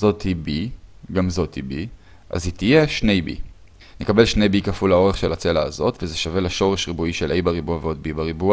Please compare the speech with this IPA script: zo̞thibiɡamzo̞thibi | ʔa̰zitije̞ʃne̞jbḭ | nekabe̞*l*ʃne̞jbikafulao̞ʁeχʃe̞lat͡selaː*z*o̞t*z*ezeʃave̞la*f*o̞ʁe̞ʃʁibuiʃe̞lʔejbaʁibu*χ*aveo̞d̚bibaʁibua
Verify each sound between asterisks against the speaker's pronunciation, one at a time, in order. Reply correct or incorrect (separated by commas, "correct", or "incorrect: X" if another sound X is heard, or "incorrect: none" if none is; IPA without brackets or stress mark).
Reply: correct, correct, incorrect: v, incorrect: ʃ, incorrect: none